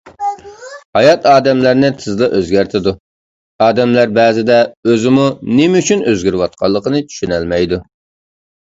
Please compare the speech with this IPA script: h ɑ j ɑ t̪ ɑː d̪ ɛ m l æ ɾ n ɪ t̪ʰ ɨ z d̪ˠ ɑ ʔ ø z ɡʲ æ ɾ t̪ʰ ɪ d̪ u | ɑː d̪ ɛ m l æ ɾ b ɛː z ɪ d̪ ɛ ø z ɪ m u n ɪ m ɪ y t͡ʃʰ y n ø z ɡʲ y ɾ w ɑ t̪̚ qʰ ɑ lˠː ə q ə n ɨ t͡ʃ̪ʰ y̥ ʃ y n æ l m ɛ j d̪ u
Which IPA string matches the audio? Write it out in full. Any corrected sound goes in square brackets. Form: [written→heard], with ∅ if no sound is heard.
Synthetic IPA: h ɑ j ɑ t̪ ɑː d̪ ɛ m l æ ɾ n ɪ t̪ʰ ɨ z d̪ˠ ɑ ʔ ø z ɡʲ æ ɾ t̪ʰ ɪ d̪ u | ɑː d̪ ɛ m l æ ɾ b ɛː z ɪ d̪ ɛ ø z ɪ m u n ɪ m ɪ y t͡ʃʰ y n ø z ɡʲ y ɾ w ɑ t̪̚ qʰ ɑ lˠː ə q ə n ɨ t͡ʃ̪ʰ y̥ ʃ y n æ l m ɛ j d̪ u

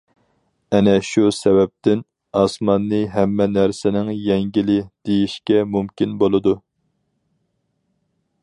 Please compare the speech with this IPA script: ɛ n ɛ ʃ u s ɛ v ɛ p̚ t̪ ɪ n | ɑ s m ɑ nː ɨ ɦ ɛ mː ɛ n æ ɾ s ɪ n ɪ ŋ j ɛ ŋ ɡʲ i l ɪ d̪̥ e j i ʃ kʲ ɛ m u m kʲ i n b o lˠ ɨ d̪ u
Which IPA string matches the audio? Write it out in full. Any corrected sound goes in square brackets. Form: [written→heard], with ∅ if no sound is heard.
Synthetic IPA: ɛ n ɛ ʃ u s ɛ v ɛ p̚ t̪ ɪ n | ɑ s m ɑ nː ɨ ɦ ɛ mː ɛ n æ ɾ s ɪ n ɪ ŋ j ɛ ŋ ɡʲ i l ɪ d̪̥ e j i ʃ kʲ ɛ m u m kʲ i n b o lˠ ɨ d̪ u

